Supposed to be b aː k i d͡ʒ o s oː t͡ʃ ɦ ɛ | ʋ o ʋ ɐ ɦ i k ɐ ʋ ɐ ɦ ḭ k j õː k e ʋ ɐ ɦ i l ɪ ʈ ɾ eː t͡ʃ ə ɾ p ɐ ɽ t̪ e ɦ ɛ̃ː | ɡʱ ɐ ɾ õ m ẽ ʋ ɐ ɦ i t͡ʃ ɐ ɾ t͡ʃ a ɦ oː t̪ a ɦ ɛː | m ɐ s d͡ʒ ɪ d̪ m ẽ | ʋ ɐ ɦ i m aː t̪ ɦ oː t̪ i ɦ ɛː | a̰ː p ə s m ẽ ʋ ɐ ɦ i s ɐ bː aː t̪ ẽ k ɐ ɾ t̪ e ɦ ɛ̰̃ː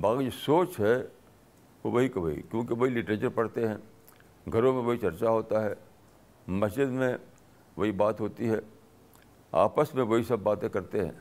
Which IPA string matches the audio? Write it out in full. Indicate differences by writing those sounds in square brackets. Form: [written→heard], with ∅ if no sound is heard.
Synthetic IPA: b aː k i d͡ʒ o s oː t͡ʃ ɦ ɛ | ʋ o ʋ ɐ ɦ i k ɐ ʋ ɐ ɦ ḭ k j õː k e ʋ ɐ ɦ i l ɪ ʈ ɾ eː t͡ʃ ə ɾ p ɐ ɽ t̪ e ɦ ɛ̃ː | ɡʱ ɐ ɾ õ m ẽ ʋ ɐ ɦ i t͡ʃ ɐ ɾ t͡ʃ a ɦ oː t̪ a ɦ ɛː | m ɐ s d͡ʒ ɪ d̪ m ẽ | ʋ ɐ ɦ i [m→b] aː t̪ ɦ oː t̪ i ɦ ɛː | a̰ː p ə s m ẽ ʋ ɐ ɦ i s ɐ bː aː t̪ ẽ k ɐ ɾ t̪ e ɦ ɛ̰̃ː